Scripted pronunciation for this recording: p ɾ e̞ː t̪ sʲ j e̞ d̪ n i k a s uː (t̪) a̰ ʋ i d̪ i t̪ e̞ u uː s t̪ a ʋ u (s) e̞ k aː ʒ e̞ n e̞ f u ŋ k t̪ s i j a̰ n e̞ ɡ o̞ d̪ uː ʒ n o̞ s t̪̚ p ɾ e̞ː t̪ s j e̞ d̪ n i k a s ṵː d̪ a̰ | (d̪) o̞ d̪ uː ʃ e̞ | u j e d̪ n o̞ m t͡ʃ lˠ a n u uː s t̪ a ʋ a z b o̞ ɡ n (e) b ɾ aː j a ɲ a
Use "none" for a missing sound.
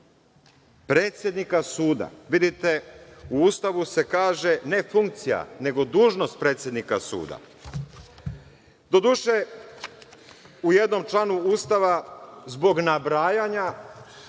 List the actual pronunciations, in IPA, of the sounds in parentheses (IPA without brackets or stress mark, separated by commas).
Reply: d̪, s, d̪, a